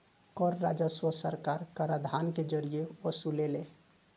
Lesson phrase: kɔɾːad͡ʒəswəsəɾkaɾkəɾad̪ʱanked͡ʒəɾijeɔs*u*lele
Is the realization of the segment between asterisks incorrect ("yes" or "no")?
no